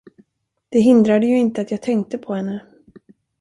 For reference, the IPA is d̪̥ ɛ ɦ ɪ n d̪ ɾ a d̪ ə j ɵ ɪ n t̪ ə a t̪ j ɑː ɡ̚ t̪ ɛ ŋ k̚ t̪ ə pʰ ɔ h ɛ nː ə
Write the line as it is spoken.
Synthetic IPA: d̪̥ ɛ ɦ ɪ n d̪ ɾ a d̪ ə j ɵ ɪ n t̪ ə a t̪ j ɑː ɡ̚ t̪ʰ ɛ ŋ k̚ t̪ ə pʰ ɔ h ɛ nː ə